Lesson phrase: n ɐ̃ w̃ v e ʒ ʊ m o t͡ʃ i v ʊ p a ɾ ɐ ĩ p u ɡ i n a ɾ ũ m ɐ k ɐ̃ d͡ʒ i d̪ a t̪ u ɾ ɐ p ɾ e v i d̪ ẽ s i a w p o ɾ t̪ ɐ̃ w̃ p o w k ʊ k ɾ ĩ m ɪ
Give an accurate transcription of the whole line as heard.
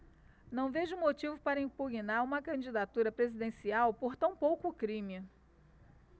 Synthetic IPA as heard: n ɐ̃ w̃ v e ʒ ʊ m o t͡ʃ i v ʊ p a ɾ ɐ ĩ p u ɡ i n a ɾ ũ m ɐ k ɐ̃ d͡ʒ i d̪ a t̪ u ɾ ɐ p ɾ e z i d̪ ẽ s i a w p o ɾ t̪ ɐ̃ w̃ p o w k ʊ k ɾ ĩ m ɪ